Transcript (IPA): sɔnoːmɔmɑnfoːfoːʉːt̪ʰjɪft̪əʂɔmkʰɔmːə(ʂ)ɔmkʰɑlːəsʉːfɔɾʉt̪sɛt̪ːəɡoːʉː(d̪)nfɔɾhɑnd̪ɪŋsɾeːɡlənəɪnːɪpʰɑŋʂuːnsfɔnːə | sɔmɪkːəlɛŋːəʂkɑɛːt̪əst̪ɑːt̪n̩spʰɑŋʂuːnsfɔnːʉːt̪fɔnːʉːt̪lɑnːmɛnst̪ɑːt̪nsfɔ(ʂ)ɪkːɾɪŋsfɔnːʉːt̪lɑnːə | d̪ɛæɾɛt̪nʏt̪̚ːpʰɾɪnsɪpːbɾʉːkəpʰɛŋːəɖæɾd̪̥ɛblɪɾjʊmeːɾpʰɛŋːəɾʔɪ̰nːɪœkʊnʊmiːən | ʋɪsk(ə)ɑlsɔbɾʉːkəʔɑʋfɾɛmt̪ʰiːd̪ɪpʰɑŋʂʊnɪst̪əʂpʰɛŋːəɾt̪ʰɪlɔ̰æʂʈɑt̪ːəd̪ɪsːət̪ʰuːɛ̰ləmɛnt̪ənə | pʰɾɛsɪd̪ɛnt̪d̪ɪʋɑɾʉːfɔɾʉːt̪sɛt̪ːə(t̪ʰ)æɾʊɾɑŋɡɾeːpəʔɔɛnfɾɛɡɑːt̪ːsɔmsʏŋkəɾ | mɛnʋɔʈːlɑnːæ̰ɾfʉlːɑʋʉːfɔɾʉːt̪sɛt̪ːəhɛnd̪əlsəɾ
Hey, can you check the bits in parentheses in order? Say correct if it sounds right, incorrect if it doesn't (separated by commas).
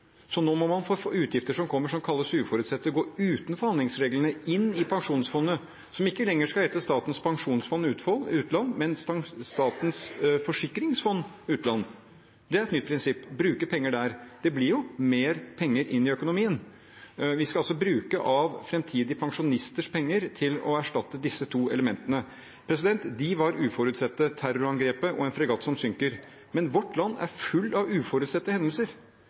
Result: correct, incorrect, correct, incorrect, correct